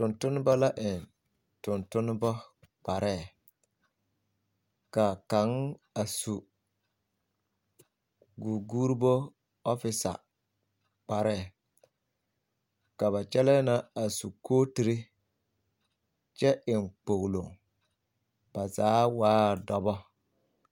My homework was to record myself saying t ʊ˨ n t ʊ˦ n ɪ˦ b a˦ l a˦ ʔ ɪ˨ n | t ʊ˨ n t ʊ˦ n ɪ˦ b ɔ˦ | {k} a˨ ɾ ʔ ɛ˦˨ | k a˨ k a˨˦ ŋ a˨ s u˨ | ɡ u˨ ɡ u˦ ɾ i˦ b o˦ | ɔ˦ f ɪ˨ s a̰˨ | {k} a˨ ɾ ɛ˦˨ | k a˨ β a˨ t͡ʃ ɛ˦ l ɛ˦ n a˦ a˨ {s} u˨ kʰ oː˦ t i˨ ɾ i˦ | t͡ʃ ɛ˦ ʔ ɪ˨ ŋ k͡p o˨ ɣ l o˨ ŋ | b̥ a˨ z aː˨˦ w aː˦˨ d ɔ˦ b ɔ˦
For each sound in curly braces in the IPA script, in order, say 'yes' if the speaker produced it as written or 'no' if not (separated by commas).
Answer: no, no, yes